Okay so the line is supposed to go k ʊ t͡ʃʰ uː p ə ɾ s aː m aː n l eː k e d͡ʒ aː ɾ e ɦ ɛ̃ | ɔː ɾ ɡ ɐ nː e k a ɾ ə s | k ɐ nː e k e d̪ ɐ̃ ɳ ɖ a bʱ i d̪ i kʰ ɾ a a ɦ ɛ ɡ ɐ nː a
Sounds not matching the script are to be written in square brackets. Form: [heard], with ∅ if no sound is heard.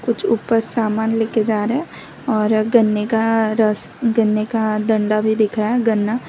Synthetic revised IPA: k ʊ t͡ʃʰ uː p ə ɾ s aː m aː n l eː k e d͡ʒ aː ɾ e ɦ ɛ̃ | ɔː ɾ ɡ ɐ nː e k a ɾ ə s | [ɡ] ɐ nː e k [a] d̪ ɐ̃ ɳ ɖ a bʱ i d̪ [ɪ] kʰ ɾ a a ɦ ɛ ɡ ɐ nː a